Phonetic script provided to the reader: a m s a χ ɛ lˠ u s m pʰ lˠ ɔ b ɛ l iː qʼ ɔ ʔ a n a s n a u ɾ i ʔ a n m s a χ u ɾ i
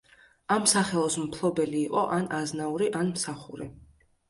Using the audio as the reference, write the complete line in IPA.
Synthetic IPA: a m s a χ ɛ lˠ ɔ s m pʰ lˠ ɔ b ɛ l iː qʼ ɔ ʔ a n a z n a u ɾ i ʔ a n m s a χ u ɾ i